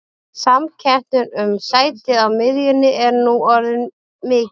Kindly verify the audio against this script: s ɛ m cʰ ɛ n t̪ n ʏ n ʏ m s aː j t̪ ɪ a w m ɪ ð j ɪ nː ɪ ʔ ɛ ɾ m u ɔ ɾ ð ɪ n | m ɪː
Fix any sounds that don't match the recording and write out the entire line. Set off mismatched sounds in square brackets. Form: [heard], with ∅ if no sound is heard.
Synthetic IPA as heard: s [a] m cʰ ɛ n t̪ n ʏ n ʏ m s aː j t̪ ɪ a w m ɪ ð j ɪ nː ɪ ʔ ɛ ɾ [n] u ɔ ɾ ð ɪ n | m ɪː